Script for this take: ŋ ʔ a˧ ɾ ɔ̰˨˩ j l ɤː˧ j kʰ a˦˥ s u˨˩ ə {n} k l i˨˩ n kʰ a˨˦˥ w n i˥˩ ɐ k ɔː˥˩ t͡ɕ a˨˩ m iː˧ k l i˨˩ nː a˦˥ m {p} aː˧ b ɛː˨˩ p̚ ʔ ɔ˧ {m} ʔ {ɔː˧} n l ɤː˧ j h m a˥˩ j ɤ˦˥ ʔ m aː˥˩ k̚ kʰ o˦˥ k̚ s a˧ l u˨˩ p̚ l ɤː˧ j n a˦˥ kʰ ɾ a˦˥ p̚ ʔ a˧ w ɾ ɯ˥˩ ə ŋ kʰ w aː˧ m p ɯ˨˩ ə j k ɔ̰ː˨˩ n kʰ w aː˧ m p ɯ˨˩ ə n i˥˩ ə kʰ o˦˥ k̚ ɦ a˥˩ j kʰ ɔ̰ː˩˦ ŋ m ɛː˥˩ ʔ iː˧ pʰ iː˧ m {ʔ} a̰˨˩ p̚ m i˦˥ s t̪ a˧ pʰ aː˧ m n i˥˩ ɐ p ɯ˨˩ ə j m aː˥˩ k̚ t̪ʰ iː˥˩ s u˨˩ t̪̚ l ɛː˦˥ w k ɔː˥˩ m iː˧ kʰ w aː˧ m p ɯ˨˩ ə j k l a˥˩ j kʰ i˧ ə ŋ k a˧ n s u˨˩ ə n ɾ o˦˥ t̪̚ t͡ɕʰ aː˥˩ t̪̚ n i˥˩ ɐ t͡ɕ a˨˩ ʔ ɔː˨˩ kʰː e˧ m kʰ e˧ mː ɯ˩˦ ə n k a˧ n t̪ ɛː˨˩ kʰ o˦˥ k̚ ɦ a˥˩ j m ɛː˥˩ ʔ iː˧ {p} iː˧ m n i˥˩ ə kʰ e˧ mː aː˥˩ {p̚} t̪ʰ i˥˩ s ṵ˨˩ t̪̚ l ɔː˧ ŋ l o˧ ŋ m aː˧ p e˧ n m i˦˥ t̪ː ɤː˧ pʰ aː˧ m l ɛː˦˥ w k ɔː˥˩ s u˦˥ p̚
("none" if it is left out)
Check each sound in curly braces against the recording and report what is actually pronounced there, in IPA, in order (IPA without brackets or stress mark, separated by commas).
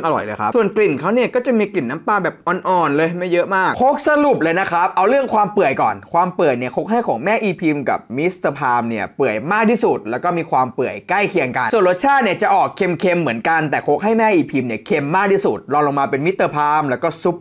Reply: n, p, n, ɔː˨˩, k, pʰ, k̚